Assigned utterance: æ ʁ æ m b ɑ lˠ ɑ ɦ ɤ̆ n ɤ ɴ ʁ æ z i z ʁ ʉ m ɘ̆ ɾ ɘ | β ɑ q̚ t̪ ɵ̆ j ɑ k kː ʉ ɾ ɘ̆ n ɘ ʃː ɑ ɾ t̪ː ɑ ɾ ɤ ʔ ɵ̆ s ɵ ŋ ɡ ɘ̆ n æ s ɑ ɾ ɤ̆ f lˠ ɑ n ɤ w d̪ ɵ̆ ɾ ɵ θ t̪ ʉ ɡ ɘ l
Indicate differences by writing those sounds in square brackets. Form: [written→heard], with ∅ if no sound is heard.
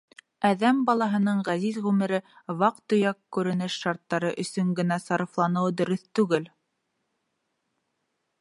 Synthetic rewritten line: æ [ʁ→ð] æ m b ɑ lˠ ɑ ɦ ɤ̆ n ɤ ɴ ʁ æ z i z ʁ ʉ m ɘ̆ ɾ ɘ | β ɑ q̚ t̪ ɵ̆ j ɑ k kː ʉ ɾ ɘ̆ n ɘ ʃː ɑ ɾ t̪ː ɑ ɾ ɤ ʔ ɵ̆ s ɵ ŋ ɡ ɘ̆ n æ s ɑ ɾ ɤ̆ f lˠ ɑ n ɤ w d̪ ɵ̆ ɾ ɵ θ t̪ ʉ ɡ ɘ l